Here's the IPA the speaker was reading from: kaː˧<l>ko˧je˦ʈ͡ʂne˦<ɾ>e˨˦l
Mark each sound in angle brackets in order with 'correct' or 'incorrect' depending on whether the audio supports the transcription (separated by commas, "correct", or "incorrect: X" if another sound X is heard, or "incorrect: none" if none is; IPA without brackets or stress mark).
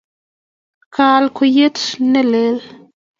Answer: correct, incorrect: l